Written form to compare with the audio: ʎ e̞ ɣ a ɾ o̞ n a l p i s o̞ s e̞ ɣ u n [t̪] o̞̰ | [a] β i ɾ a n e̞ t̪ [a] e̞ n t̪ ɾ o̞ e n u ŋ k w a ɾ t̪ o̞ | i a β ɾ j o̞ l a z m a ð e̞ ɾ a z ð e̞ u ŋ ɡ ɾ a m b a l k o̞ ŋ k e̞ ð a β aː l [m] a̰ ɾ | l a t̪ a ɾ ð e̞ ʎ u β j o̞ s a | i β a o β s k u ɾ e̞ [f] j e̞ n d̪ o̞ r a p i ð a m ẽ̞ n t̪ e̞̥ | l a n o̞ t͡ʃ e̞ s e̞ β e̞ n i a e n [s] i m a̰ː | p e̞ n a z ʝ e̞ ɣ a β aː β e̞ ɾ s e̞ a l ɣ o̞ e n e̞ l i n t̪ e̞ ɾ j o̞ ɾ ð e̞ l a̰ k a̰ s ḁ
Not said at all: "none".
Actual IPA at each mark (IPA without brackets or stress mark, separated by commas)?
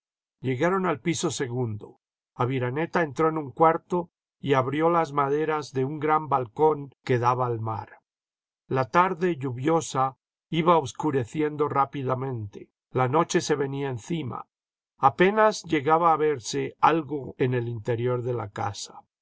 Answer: d̪, a, a, m, θ, θ